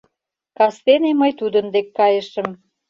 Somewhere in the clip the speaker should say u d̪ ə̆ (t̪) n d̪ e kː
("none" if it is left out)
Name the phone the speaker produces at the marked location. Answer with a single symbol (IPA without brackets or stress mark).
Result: none